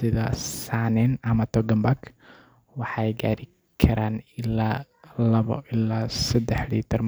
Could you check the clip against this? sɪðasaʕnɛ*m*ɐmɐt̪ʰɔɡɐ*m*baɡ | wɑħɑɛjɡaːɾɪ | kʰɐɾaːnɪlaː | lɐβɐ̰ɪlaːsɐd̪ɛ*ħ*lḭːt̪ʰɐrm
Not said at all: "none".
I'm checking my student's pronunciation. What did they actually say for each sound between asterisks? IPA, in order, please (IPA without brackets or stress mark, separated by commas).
n, m, ħ